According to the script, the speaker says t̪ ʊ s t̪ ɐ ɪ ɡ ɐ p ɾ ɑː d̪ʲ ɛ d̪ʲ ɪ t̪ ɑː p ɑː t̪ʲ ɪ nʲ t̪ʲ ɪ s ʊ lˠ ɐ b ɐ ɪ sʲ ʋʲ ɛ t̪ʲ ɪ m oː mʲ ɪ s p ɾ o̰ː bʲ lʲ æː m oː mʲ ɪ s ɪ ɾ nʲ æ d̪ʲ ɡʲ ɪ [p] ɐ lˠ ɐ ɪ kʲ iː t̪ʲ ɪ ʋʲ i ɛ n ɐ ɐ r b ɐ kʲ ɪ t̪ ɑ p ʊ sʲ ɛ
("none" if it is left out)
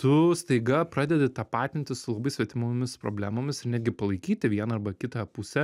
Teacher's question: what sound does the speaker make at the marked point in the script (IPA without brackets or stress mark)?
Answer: p